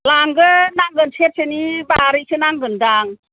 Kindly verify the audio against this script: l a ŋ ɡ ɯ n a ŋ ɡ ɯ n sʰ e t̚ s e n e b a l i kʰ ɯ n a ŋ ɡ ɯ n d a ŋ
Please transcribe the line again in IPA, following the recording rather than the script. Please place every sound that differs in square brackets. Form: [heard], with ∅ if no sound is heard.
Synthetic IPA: l a ŋ ɡ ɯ n a ŋ ɡ ɯ n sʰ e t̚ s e n [i] b a [ɾ] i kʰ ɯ n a ŋ ɡ ɯ n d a ŋ